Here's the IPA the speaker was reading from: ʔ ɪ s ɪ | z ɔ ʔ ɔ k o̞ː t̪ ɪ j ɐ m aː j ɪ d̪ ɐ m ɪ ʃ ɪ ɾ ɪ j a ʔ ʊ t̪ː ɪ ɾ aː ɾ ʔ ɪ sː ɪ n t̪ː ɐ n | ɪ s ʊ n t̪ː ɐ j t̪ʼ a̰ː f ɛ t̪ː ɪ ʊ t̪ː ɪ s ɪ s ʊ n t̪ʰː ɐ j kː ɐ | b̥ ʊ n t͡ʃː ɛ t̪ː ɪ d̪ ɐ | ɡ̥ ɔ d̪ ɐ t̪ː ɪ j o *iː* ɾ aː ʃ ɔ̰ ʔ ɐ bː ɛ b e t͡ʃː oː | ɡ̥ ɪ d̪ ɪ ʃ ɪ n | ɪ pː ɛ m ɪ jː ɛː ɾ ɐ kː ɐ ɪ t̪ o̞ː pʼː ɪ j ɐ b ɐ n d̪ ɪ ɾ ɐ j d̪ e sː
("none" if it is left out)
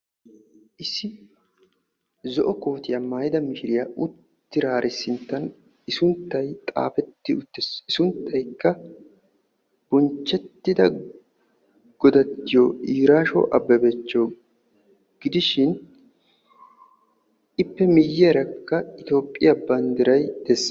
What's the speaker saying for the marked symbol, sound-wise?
iː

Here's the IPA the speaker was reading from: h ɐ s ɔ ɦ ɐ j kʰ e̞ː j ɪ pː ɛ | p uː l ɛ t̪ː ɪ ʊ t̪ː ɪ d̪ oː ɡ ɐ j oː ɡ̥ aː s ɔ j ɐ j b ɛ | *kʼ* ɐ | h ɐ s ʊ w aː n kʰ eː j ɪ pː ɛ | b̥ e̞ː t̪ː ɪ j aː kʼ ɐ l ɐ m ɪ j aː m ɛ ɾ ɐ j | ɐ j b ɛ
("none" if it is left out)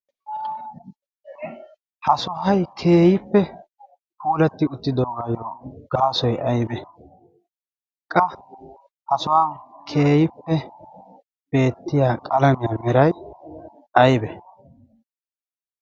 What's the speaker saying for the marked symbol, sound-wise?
kʼ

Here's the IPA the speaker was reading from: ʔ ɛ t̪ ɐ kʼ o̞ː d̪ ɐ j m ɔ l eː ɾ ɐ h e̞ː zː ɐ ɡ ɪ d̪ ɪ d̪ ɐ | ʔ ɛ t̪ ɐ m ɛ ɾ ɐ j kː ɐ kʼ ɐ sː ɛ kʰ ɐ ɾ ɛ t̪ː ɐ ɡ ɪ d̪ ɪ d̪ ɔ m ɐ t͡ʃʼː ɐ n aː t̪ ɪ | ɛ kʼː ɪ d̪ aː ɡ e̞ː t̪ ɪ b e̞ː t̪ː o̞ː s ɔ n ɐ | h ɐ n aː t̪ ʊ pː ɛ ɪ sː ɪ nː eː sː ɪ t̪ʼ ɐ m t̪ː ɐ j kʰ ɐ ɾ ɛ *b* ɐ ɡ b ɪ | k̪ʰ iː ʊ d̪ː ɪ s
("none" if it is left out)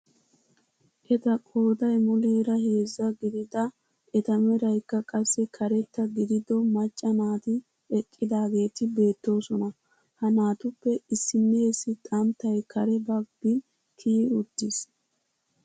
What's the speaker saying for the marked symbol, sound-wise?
b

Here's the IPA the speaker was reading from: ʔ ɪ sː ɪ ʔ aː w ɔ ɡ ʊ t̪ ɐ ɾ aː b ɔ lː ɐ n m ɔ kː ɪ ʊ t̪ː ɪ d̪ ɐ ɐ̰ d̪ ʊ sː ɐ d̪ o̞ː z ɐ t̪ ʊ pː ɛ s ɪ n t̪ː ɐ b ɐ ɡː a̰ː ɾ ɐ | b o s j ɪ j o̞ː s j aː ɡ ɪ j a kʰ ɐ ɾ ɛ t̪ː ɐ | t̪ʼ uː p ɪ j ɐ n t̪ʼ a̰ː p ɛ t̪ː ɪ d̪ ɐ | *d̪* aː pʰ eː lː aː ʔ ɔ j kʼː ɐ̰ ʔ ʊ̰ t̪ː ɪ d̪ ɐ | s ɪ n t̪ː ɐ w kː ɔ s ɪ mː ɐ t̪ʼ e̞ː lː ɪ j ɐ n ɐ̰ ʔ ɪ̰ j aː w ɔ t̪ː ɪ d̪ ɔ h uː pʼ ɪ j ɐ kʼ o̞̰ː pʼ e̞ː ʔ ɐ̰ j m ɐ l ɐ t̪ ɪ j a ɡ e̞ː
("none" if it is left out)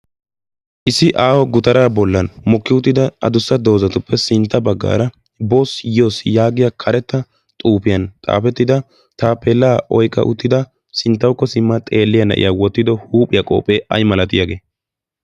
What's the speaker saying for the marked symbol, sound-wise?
t̪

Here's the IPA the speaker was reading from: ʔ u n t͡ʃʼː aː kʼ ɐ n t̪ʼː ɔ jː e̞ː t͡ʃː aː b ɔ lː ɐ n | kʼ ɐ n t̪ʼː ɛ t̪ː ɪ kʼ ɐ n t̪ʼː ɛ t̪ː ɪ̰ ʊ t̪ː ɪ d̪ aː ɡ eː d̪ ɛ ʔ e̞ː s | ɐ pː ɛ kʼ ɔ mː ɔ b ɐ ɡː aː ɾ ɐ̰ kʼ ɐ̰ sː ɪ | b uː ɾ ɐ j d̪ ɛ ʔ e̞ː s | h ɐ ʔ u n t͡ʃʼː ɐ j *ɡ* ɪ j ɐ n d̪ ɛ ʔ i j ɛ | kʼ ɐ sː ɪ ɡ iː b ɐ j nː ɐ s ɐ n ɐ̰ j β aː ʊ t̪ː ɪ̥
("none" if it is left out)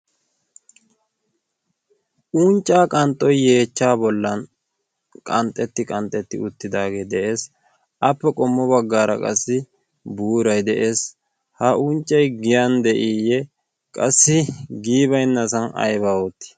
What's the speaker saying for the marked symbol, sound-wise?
ɡ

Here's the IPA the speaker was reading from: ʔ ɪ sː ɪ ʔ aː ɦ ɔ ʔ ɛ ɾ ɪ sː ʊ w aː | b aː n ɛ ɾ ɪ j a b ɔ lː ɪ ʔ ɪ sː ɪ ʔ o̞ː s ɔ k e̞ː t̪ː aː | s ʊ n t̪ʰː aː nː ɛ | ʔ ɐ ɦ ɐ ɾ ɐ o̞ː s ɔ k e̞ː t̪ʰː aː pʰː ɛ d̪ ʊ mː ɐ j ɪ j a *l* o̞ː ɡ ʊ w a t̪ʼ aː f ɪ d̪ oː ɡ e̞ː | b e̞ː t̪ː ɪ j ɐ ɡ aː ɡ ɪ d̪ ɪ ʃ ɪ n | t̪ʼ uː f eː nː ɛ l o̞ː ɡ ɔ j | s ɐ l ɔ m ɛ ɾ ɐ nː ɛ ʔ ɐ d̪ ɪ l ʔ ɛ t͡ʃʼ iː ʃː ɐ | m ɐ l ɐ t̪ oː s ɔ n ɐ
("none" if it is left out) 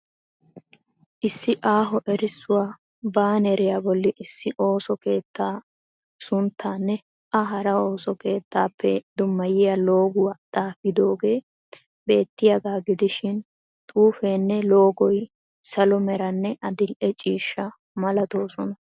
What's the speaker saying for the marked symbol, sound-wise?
l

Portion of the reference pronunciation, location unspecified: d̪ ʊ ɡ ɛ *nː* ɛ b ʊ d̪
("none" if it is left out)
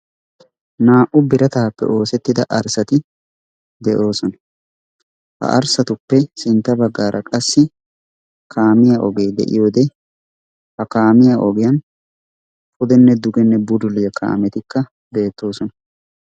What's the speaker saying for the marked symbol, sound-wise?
nː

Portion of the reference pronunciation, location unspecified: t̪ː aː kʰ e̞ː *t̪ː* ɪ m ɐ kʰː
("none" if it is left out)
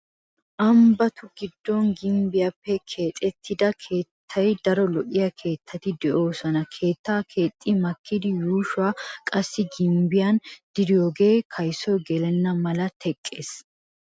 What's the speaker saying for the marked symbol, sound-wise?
t̪ʼː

